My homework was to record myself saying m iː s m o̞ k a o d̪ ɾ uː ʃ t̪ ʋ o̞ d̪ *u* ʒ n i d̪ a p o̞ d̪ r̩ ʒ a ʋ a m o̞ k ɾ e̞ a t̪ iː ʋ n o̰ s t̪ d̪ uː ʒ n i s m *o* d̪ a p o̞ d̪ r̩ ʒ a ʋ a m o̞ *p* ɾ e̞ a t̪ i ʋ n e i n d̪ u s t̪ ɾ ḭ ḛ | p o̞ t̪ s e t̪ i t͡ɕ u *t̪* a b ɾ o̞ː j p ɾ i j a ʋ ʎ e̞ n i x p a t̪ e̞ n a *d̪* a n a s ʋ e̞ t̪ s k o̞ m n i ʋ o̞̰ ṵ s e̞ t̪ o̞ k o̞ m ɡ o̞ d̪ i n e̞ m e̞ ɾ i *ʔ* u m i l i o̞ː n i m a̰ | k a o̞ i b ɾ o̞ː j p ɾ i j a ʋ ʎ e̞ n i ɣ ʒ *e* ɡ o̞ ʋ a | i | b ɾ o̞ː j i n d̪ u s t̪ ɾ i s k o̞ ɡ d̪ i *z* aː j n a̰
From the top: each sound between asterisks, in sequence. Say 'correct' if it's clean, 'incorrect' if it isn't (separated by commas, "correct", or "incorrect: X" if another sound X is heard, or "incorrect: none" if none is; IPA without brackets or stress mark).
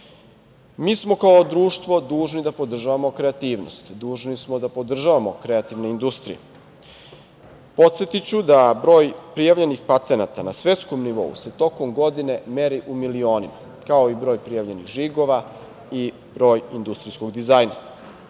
incorrect: uː, correct, incorrect: k, incorrect: d̪, incorrect: t̪, correct, incorrect: i, correct